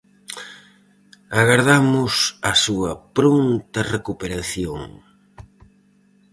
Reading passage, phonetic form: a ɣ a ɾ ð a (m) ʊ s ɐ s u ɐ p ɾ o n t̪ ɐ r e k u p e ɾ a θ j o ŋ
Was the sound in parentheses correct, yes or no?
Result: yes